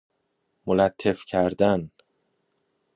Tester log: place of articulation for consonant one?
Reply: labial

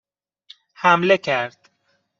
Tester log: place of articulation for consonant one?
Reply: glottal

